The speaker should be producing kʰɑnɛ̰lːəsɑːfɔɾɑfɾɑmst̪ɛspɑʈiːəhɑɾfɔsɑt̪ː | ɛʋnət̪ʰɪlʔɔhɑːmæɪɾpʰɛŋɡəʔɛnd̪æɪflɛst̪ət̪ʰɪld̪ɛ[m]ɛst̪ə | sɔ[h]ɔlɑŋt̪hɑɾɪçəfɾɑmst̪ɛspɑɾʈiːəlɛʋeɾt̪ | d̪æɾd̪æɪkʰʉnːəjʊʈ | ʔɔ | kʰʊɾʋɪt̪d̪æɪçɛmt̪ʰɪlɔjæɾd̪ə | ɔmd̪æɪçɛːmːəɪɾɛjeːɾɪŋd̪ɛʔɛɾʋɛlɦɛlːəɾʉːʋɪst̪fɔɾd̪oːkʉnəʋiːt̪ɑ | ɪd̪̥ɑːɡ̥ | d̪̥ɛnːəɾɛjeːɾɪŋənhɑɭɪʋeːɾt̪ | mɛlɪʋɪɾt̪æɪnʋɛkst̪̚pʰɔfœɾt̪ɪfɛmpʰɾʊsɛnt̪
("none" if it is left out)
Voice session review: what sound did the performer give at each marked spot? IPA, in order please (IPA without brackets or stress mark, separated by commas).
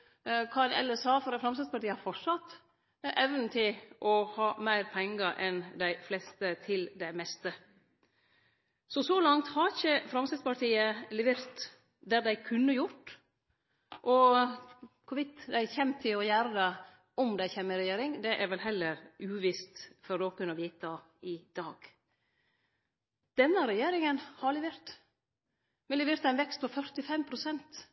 m, s